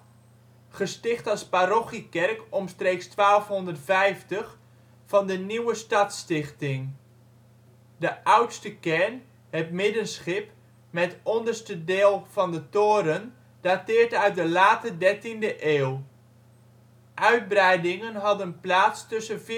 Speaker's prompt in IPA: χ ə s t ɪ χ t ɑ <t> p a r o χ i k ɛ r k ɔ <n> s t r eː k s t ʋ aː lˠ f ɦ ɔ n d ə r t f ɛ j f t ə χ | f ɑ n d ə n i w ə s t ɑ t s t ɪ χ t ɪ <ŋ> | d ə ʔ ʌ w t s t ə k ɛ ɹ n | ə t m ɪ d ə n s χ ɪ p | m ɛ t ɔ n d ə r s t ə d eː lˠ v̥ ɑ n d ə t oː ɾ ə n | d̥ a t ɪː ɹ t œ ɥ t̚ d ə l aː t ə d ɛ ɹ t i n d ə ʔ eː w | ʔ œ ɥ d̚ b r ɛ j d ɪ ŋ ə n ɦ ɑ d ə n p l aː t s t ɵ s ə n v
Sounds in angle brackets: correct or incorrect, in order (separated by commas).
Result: incorrect, incorrect, correct